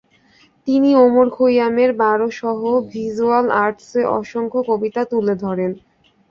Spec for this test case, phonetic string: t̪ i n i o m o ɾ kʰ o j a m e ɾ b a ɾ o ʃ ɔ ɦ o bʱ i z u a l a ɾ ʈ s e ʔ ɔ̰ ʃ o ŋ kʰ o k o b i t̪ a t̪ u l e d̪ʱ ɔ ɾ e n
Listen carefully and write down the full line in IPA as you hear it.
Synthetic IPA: t̪ i n i o m o ɾ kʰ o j a m e ɾ b a ɾ o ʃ ɔ ɦ o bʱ i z u a l a ɾ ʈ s e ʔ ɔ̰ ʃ o ŋ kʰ o k o b i t̪ a t̪ u l e d̪ʱ ɔ ɾ e n